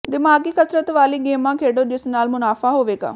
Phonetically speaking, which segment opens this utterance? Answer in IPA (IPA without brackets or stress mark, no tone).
d̪